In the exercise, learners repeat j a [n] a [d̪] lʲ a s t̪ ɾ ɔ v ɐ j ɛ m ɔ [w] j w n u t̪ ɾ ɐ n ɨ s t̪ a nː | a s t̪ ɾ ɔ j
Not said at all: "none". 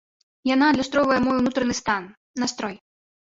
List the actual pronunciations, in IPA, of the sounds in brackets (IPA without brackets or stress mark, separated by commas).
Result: n, d̪, none